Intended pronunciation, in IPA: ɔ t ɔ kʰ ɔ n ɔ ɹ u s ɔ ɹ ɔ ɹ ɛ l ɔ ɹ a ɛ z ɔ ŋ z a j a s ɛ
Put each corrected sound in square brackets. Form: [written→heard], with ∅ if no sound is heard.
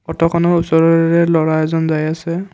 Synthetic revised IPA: ɔ t ɔ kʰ ɔ n ɔ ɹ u s ɔ ɹ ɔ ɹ ɛ l ɔ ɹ a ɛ z ɔ [ŋ→n] z a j a s ɛ